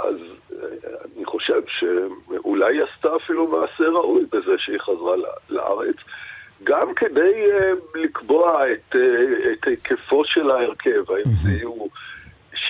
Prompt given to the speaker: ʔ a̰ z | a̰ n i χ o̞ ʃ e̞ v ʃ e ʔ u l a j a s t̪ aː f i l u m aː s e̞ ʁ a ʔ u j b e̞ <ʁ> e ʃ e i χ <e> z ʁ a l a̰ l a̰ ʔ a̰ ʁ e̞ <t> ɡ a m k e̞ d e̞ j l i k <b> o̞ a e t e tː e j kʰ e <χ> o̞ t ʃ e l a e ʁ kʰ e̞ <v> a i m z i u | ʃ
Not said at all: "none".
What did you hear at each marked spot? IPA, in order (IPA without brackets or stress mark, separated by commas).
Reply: z, a, t͡s, b, f, v